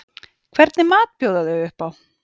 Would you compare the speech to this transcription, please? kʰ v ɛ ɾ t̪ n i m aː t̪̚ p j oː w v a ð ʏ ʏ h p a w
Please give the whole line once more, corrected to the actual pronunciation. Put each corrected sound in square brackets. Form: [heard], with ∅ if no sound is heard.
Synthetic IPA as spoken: kʰ v ɛ ɾ t̪ n [ɪ] m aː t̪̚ p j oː w [ð] a ð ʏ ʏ h p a w